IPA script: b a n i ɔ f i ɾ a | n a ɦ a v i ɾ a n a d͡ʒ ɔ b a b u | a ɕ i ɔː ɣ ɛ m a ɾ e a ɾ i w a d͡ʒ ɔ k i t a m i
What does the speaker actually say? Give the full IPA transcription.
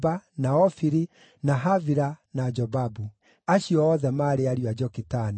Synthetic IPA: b a n a ɔ f i ɾ i | n a ɦ a v i ɾ a n a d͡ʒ ɔ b a b u | a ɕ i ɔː ð ɛ m a ɾ e a ɾ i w a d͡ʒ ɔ k i t a n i